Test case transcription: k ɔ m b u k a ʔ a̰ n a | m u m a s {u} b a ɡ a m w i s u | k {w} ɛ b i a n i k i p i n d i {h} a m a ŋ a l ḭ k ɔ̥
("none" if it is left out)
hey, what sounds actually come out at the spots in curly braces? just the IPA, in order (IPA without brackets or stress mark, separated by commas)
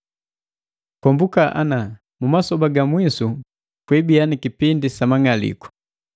ɔ, w, s